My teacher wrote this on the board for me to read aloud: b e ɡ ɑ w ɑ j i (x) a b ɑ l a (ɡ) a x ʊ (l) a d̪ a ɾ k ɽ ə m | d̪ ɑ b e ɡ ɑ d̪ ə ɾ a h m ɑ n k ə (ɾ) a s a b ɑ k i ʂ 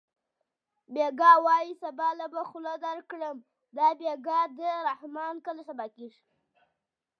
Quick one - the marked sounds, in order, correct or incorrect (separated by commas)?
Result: incorrect, incorrect, correct, incorrect